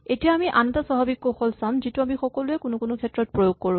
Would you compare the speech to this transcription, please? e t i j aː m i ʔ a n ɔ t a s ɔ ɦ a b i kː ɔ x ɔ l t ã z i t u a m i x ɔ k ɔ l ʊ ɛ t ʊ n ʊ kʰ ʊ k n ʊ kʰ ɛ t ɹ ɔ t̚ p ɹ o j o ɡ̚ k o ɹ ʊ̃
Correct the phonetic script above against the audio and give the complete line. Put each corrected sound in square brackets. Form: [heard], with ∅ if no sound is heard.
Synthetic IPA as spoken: e t i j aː m i ʔ a n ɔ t a s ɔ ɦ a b i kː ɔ x ɔ l [s] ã z i t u a m i x ɔ k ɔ l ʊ ɛ [k] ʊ n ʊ [k] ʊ [∅] n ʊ kʰ ɛ t ɹ ɔ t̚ p ɹ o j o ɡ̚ k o ɹ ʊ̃